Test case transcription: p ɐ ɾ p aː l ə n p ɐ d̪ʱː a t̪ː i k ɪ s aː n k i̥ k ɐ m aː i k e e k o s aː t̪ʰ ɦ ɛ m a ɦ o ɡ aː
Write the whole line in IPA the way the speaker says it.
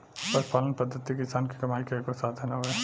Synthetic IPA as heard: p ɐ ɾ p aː l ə n p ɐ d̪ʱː ə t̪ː i k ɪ s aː n k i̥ k ɐ m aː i k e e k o s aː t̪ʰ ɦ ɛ n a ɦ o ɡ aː